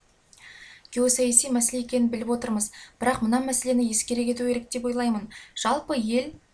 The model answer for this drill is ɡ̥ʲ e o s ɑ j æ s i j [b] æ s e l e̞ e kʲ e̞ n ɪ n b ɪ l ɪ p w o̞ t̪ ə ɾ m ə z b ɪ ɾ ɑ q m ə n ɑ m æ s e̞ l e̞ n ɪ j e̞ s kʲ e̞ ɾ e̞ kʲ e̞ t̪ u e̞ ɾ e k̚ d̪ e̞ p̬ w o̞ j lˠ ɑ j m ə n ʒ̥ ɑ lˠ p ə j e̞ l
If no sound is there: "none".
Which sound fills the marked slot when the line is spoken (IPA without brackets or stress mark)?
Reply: m